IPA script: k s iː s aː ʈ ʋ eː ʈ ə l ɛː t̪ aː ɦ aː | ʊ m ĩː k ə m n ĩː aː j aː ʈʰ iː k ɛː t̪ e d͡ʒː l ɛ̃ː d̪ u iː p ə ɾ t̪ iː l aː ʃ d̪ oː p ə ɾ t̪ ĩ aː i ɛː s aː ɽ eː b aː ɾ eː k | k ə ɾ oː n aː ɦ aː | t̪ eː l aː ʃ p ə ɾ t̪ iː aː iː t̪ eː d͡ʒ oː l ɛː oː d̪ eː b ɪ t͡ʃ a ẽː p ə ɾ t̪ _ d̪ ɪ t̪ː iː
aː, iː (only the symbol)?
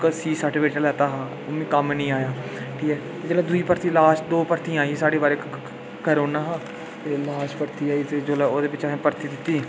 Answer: iː